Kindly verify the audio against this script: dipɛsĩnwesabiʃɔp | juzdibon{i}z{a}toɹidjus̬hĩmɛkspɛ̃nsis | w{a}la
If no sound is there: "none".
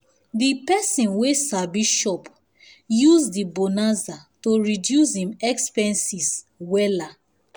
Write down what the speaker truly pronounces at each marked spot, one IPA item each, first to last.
a, a, ɛ

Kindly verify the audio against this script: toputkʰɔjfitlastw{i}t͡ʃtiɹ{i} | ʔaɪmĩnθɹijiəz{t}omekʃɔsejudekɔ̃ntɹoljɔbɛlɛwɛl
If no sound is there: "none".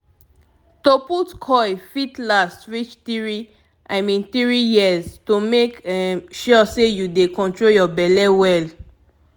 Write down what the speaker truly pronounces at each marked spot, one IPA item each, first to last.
i, i, t

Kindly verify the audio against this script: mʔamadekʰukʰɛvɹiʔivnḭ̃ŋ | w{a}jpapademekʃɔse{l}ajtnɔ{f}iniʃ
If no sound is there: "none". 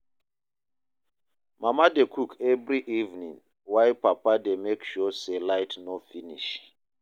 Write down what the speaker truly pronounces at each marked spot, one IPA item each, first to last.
a, l, f

